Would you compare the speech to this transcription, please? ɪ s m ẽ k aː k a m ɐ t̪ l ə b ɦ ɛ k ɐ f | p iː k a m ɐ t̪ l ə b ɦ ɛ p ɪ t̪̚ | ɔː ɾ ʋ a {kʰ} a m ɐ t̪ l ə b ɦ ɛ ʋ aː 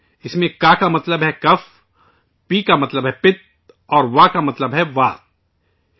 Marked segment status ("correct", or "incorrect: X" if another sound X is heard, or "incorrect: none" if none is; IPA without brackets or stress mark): incorrect: k